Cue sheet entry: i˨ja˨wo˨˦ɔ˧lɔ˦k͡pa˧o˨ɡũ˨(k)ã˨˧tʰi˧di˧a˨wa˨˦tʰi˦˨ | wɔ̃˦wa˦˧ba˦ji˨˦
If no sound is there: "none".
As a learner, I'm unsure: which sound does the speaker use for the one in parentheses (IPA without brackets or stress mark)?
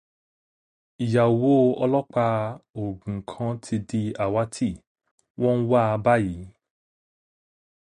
kʰ